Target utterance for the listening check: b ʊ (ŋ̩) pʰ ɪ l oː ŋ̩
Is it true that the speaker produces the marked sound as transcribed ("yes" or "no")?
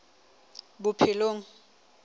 no